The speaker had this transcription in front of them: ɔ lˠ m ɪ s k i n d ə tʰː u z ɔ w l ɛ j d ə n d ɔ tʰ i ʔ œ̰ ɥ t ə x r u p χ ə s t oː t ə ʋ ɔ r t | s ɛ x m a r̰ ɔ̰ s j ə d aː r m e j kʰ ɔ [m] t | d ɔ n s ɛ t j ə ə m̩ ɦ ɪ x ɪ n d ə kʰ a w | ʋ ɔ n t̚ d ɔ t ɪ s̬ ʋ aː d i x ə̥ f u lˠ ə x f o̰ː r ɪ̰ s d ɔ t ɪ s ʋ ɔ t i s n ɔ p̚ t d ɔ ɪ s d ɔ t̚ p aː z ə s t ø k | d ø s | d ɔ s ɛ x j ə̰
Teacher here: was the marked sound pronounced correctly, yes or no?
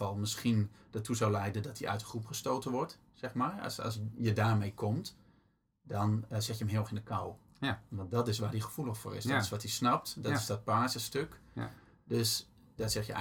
yes